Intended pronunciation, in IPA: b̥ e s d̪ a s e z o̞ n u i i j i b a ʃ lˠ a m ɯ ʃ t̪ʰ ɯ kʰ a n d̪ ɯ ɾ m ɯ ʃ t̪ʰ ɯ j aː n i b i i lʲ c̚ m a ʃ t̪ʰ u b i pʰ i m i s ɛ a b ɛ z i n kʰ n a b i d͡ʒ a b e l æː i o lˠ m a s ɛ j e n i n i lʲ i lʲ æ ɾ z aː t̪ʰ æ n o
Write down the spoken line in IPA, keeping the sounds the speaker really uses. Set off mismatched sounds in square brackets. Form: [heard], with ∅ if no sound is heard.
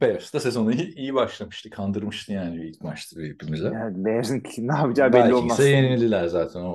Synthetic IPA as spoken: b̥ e s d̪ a s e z o̞ n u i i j i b a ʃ lˠ a m ɯ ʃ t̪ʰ ɯ kʰ a n d̪ ɯ ɾ m ɯ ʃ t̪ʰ ɯ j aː n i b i i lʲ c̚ m a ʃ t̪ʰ [ɯ] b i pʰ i m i [z] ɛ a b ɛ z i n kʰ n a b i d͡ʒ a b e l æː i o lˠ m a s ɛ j e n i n i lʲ i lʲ æ ɾ z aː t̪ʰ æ n o